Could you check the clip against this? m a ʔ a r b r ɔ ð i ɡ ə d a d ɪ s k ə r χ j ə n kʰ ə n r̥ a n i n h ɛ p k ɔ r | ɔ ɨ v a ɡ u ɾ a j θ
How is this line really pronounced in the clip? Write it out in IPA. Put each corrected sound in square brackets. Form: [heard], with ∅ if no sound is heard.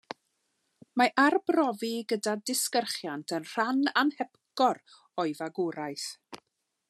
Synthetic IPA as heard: m a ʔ a r b r ɔ [v] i ɡ ə d a d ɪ s k ə r χ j [a] n [tʰ] ə n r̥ a n [a] n h ɛ p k ɔ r | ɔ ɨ v a ɡ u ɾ a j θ

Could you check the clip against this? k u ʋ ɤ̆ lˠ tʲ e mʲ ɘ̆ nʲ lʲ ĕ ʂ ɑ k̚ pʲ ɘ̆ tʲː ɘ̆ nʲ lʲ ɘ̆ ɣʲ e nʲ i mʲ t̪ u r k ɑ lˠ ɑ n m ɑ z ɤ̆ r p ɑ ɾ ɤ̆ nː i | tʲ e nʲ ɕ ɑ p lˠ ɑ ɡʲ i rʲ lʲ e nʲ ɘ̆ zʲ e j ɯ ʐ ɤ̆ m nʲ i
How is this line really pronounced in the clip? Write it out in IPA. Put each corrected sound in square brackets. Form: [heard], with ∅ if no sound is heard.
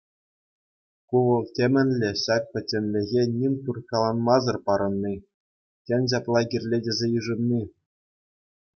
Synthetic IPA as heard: k u ʋ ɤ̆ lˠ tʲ e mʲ ɘ̆ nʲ lʲ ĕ [ɕ] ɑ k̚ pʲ ɘ̆ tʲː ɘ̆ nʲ lʲ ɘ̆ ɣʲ e nʲ i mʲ t̪ u r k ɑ lˠ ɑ n m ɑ z ɤ̆ r p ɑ ɾ ɤ̆ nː i | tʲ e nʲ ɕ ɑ p lˠ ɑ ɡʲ i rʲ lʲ e [dʲ] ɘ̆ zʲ e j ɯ ʐ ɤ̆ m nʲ i

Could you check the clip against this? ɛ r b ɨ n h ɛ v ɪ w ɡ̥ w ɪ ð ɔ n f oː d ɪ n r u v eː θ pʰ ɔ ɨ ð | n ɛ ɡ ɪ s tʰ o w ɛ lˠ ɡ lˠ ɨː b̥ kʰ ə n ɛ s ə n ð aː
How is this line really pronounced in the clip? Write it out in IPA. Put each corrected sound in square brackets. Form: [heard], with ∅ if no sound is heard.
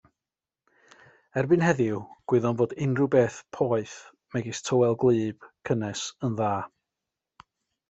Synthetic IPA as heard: ɛ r b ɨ n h ɛ [ð] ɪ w ɡ̥ w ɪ ð ɔ n [v] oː d ɪ n r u [b] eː θ pʰ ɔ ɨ [θ] | [m] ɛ ɡ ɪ s tʰ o w ɛ lˠ ɡ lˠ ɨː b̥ kʰ ə n ɛ s ə n ð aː

